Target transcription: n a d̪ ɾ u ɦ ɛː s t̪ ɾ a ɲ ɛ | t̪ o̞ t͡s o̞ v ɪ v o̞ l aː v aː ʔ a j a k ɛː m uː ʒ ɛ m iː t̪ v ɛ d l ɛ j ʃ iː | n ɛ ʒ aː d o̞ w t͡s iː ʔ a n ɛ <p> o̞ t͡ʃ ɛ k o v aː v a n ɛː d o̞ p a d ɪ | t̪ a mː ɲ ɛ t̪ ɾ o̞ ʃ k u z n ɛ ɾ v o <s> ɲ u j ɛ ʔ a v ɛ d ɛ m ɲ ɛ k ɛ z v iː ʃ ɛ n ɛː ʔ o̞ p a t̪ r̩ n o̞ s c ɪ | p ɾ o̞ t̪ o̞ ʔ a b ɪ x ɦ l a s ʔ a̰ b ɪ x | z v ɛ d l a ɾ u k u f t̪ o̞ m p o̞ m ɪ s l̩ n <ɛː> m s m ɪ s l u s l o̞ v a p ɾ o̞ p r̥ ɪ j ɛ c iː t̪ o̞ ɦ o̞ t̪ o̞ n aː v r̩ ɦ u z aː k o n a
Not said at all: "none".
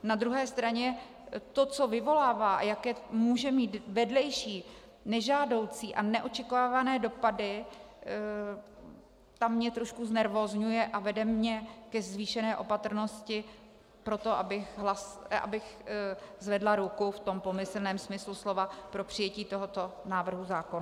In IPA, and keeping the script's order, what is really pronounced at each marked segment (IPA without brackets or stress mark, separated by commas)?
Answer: ʔ, z, ɛː